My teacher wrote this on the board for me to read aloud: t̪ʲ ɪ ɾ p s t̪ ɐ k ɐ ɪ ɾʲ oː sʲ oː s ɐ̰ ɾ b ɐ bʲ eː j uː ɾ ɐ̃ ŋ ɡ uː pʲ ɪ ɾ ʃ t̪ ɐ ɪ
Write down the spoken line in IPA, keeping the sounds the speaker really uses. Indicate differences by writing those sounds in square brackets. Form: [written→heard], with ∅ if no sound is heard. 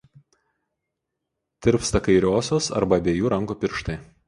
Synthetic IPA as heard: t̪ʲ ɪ ɾ p s t̪ ɐ k ɐ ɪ ɾʲ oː sʲ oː s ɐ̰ ɾ b ɐ bʲ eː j uː ɾ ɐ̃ ŋ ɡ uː pʲ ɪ ɾ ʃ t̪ ɐ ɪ